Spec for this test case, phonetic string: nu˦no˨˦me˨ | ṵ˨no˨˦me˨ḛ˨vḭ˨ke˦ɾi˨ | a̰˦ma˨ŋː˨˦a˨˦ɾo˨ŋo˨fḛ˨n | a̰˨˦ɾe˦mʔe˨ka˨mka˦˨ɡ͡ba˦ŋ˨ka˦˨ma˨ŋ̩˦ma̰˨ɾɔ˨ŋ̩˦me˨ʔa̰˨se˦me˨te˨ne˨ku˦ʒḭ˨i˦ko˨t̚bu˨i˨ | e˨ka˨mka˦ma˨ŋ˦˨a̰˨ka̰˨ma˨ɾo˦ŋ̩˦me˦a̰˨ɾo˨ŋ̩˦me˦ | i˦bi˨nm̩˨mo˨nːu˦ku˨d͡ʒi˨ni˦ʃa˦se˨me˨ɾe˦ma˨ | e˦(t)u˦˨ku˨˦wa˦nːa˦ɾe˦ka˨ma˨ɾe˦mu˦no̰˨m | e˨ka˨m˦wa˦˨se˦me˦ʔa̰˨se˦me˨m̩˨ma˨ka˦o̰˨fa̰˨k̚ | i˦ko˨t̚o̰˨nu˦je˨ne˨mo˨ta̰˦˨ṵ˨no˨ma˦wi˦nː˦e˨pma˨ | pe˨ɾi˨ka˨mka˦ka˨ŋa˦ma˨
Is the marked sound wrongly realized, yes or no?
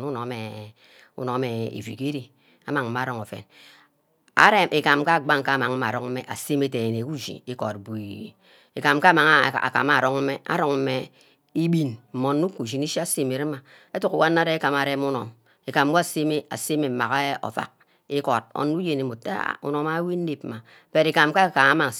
no